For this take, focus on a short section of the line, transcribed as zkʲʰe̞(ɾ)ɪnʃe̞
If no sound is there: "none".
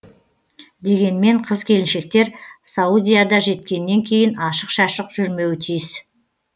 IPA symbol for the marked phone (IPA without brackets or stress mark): l